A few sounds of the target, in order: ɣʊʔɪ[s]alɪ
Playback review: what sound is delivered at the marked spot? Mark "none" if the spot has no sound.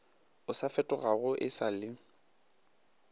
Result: s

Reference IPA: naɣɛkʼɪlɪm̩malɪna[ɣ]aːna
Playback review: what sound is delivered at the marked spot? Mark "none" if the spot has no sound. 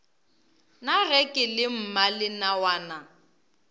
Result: w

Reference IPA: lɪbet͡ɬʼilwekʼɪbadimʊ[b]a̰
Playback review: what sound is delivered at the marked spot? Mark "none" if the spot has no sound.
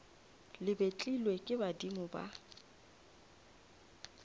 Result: b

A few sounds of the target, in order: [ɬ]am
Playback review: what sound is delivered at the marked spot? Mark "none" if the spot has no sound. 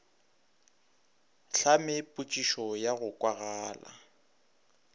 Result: ɬ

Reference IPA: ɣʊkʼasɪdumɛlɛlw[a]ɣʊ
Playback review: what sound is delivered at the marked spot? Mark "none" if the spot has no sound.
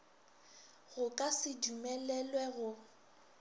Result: ɛ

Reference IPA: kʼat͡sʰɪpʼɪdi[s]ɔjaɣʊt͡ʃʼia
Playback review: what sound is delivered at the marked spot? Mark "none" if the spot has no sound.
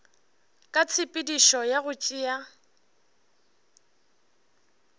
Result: ʃ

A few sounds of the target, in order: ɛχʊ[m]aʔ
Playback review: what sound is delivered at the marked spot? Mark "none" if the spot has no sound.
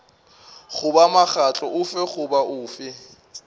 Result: b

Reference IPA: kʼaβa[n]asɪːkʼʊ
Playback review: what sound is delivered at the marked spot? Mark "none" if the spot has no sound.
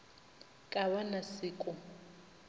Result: n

